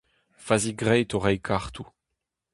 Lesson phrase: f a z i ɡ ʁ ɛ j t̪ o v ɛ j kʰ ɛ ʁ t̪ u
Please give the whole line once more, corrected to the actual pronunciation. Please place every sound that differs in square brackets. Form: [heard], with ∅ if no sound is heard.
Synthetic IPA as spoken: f a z i ɡ ʁ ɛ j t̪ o [ʁ] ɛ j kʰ [a] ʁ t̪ u